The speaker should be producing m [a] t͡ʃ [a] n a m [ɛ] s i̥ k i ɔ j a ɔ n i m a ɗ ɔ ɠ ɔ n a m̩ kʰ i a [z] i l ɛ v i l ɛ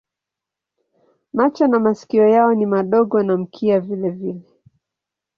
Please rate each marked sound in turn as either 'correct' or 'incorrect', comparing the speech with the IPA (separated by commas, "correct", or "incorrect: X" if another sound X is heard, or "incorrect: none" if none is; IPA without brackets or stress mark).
correct, correct, incorrect: a, incorrect: v